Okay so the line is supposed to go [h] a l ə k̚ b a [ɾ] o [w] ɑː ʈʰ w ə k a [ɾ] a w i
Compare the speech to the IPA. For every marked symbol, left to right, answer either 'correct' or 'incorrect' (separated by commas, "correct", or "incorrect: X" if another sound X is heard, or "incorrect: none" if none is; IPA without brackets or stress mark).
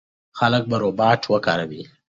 incorrect: x, correct, incorrect: b, correct